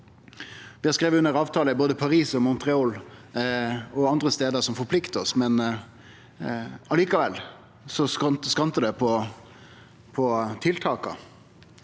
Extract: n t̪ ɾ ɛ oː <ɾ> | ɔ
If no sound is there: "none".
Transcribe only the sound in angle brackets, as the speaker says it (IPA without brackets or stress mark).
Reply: l